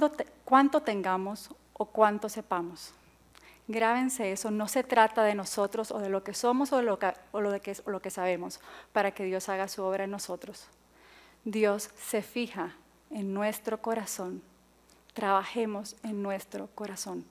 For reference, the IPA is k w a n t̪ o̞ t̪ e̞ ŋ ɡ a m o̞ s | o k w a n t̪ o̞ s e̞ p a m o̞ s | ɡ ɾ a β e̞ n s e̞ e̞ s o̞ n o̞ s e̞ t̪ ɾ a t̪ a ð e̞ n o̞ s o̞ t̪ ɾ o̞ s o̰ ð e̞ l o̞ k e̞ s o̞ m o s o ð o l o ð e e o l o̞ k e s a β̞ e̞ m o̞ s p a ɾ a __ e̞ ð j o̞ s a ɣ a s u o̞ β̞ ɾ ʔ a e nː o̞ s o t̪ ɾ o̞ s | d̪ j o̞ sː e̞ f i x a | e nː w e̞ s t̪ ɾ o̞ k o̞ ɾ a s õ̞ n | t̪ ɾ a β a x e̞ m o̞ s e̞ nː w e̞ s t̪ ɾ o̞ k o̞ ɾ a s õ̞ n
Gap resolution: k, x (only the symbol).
k